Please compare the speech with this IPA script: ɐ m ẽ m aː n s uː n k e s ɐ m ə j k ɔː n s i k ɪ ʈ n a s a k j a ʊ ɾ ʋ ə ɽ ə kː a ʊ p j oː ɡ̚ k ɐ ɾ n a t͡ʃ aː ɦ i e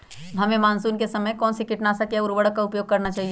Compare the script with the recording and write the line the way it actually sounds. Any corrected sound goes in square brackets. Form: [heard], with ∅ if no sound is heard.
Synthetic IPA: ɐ m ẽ m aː n s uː n k e s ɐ m ə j k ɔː n s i k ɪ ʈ n a s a k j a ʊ ɾ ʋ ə ɽ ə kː a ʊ p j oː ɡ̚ k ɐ ɾ n a t͡ʃ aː ɦ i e